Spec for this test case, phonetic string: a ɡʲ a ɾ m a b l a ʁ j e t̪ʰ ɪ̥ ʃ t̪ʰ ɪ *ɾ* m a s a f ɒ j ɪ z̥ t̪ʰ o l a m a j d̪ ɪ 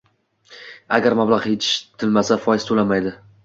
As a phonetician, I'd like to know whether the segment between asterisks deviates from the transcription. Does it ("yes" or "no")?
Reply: yes